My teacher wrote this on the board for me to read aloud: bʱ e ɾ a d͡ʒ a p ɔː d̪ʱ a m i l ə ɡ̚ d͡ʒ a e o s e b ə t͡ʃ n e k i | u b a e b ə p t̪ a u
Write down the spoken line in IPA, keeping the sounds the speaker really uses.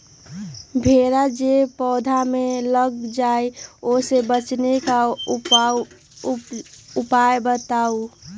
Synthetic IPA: bʱ e ɾ a d͡ʒ e p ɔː d̪ʱ a m e l ə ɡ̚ d͡ʒ a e o s e b ə t͡ʃ n e k a | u p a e b ə t̪ a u